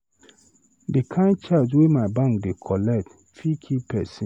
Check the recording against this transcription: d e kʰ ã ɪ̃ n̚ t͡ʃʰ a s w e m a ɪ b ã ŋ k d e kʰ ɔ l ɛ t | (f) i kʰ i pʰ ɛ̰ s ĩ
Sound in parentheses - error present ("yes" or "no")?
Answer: no